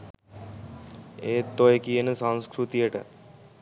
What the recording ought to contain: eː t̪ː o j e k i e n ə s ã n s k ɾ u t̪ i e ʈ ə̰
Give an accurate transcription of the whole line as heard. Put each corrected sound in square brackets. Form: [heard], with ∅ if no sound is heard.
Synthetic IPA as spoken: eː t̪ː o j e k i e n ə s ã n s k ɾ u t̪ i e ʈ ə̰